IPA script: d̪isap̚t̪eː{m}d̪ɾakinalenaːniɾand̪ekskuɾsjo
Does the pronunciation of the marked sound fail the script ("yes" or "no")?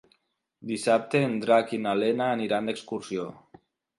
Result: yes